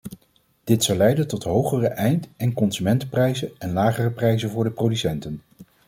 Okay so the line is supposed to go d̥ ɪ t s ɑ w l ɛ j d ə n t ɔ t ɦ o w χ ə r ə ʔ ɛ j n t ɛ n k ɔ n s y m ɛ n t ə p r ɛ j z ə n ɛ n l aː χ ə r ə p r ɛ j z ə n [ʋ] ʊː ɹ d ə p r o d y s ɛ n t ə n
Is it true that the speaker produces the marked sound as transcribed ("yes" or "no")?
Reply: no